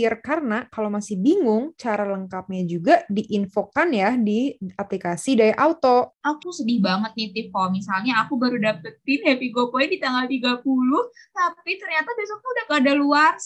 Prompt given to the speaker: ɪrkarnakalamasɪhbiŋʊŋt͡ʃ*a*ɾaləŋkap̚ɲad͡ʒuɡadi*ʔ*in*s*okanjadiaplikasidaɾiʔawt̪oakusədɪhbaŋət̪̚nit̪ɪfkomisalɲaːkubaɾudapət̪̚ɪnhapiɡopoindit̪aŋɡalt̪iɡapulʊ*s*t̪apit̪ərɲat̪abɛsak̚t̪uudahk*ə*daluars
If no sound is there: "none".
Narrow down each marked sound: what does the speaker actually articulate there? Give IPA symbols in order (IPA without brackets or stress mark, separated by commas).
a, ʔ, f, h, a